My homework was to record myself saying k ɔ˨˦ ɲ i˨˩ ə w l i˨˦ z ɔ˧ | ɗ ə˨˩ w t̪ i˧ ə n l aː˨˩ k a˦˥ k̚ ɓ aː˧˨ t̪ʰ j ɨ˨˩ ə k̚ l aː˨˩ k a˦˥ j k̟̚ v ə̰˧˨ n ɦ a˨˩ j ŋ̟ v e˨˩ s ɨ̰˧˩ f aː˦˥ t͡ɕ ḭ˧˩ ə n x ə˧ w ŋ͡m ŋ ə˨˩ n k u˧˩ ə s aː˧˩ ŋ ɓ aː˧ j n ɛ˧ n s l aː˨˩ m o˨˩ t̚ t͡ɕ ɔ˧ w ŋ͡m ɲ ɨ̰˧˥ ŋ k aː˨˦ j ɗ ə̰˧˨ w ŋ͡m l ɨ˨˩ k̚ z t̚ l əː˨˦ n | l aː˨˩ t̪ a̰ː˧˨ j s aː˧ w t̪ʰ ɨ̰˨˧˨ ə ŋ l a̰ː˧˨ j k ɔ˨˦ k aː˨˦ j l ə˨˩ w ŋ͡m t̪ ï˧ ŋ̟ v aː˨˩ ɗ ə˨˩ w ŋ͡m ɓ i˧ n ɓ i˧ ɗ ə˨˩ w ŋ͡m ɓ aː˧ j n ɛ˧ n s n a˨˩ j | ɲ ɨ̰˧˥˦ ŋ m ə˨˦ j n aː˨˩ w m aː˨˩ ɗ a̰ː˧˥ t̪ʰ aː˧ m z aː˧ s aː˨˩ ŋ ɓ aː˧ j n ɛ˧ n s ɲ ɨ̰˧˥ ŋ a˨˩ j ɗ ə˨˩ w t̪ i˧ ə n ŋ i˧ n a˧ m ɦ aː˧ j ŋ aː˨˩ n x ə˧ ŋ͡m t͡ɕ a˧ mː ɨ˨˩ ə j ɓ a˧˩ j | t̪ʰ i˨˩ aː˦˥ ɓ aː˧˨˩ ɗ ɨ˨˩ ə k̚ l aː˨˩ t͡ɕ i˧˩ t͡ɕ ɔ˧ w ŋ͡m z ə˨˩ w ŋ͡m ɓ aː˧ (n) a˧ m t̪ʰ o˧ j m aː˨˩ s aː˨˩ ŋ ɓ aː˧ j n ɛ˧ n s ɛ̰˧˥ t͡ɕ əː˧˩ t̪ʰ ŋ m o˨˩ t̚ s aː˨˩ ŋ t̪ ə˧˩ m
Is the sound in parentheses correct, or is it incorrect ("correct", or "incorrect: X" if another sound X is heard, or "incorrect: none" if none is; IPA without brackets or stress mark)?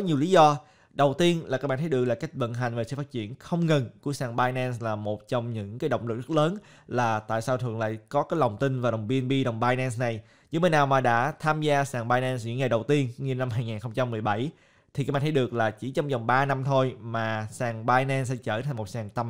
correct